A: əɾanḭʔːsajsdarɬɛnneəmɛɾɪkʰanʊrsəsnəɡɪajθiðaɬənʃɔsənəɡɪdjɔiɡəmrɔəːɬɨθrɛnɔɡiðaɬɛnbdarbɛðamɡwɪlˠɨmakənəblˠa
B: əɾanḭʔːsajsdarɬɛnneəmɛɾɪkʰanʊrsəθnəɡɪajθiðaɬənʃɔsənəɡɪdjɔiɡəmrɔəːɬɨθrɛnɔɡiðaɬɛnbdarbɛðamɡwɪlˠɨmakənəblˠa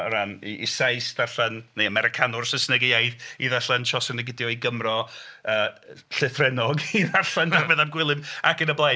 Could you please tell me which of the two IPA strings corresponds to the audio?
A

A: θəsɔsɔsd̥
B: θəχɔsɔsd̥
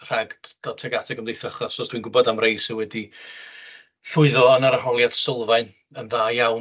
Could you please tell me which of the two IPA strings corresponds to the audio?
B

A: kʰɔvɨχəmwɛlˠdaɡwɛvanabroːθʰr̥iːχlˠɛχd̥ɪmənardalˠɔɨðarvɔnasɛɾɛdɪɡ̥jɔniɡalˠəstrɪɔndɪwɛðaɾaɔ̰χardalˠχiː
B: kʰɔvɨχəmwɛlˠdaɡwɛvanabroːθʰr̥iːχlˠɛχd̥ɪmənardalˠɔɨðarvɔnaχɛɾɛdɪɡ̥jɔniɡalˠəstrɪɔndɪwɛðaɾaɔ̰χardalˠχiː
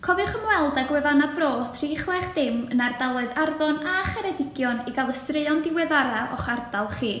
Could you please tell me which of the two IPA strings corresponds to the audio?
B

